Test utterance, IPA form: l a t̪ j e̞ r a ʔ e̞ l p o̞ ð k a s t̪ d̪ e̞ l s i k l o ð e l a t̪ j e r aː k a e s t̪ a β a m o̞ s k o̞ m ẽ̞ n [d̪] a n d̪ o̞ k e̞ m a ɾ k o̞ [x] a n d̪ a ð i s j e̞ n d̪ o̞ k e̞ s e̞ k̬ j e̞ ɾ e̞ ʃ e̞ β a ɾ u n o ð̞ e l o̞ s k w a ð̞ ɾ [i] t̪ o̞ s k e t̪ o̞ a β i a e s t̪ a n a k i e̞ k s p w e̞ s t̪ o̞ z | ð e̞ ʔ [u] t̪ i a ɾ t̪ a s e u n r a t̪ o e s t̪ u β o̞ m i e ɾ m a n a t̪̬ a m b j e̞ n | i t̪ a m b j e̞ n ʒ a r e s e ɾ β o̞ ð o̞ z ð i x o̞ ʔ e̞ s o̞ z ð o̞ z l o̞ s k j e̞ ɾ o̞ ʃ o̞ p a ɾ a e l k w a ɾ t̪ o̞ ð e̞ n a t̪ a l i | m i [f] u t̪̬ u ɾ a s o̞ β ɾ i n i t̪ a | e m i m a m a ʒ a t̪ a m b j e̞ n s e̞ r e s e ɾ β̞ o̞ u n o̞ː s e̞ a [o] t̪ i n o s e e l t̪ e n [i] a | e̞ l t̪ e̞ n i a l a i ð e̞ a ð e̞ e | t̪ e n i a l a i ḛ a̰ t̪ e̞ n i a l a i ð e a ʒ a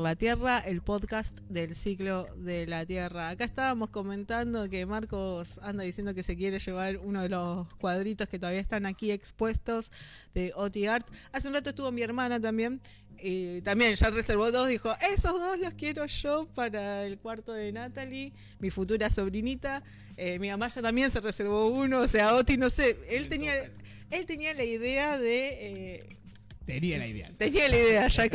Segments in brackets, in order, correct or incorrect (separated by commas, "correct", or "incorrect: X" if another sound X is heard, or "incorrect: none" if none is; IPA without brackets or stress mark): incorrect: t̪, incorrect: s, correct, incorrect: o, correct, correct, correct